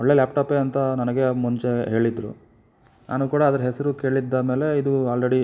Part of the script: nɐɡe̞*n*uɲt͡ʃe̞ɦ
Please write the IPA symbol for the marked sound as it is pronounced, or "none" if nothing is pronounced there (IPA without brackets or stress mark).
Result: m